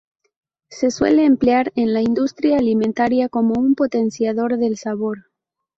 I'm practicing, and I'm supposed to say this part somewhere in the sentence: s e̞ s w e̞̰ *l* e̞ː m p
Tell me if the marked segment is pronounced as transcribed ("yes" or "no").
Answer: yes